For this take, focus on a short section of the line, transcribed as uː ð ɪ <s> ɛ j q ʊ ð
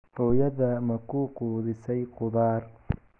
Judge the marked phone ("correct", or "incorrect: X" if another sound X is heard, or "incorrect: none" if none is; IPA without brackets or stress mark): correct